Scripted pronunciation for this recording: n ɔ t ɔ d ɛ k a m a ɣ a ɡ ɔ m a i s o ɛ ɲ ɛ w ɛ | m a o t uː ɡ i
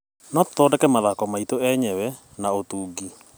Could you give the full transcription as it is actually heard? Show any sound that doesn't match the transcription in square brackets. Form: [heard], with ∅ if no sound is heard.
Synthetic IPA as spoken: n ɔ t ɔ d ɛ k [ɛ] m a [ð] a [k] ɔ m a i [t] o ɛ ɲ ɛ w ɛ | [n] a o t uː ɡ i